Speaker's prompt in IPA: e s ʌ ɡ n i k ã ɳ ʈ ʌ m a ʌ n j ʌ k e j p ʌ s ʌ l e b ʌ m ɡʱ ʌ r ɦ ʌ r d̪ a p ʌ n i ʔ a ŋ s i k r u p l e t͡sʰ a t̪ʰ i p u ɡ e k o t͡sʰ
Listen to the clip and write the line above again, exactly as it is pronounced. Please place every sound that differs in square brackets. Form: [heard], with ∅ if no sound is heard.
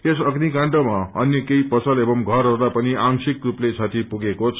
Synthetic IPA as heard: e s ʌ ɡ n i k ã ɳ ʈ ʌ m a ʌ n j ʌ k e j p ʌ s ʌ l e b ʌ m ɡʱ ʌ r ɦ ʌ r d̪ a p ʌ n i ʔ a ŋ s i k r u p l e t͡sʰ a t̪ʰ i p u ɡ e k o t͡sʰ